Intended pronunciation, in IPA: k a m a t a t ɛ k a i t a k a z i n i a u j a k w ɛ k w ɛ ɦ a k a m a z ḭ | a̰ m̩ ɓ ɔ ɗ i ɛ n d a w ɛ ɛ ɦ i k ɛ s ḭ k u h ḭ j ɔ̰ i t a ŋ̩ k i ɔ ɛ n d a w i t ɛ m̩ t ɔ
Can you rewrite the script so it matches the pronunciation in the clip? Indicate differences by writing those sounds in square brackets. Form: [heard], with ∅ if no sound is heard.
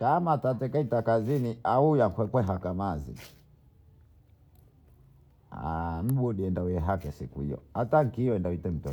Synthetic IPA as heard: k a m a t a t ɛ k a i t a k a z i n i a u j a k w ɛ k w ɛ ɦ a k a m a z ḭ | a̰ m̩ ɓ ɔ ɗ i ɛ n d a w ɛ ɛ ɦ [a] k ɛ s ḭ k u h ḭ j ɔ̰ [a] t a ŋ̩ k i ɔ ɛ n d a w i t ɛ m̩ t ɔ